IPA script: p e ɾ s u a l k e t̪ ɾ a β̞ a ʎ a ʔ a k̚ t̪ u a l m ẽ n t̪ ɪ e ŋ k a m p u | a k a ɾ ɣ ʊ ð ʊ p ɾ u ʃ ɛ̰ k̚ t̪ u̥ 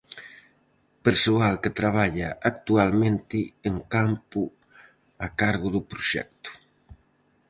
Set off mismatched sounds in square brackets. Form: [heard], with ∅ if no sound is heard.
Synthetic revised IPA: p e ɾ s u a l k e t̪ ɾ a β̞ a ʎ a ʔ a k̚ t̪ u a l m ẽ n t̪ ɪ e ŋ k a m p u | a k a ɾ ɣ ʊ ð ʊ p ɾ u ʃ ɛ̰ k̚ t̪ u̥